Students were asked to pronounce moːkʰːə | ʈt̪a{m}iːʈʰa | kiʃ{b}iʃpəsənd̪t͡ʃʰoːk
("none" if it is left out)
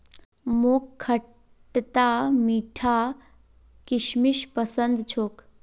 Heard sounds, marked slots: m, m

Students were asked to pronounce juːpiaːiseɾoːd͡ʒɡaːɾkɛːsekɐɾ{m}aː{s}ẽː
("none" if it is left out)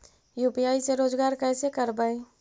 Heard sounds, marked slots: b, none

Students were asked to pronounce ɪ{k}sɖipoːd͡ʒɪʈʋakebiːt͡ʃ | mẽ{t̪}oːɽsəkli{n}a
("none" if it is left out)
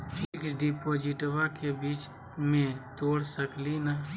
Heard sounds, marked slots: k, t̪, n

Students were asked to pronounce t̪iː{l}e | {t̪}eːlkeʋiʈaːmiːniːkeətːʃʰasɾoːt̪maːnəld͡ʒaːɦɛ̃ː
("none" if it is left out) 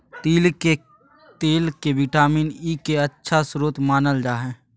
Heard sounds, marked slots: l, t̪

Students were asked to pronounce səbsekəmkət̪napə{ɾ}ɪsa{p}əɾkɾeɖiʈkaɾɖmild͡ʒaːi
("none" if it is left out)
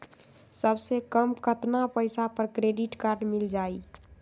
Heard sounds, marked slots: none, p

